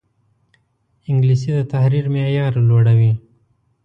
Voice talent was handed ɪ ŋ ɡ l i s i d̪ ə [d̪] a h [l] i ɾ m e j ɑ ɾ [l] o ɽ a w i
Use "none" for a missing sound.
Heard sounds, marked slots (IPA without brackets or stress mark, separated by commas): t̪, ɾ, l